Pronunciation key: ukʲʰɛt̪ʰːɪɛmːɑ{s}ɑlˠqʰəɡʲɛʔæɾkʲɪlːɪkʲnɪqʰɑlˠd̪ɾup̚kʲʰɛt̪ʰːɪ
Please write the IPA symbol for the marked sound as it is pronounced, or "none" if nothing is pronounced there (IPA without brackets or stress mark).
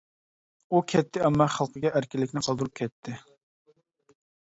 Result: χ